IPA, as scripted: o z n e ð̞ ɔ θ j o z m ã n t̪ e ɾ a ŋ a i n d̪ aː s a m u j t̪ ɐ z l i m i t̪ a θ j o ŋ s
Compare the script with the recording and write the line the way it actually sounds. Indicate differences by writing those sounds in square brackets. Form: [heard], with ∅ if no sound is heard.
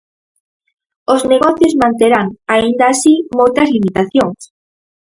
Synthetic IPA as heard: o z n e [ɣ̞] ɔ θ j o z m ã n t̪ e ɾ a ŋ a i n d̪ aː s [i] m [o] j t̪ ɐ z l i m i t̪ a θ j o ŋ s